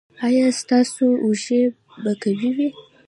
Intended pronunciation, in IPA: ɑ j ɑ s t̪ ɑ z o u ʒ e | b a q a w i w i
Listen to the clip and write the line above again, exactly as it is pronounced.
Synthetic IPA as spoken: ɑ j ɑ s t̪ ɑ s o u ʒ e | b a k a w i w i

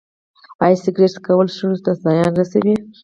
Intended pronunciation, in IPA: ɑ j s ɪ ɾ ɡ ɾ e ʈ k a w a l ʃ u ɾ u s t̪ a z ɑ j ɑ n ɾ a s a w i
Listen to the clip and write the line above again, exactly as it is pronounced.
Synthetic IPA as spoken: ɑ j s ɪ ɡ ɾ e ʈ k a w ə l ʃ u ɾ u s t̪ a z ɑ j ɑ n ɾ a s a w i

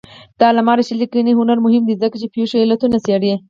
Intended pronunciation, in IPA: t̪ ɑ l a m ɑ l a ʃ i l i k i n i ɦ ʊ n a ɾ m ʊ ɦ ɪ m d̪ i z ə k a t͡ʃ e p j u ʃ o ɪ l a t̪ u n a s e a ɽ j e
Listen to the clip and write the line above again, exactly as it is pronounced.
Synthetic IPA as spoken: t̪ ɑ l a m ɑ ɾ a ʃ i l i k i n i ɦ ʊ n a ɾ m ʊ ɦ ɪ m d̪ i z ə k a t͡ʃ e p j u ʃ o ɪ l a t̪ u n a s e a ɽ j e

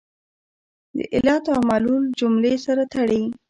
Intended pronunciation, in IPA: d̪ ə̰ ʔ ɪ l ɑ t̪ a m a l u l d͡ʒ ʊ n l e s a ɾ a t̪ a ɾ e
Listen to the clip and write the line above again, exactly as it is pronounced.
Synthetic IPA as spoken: d̪ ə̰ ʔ ɪ l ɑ t̪ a m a l u l d͡ʒ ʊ m l e s a ɾ a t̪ a ɽ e

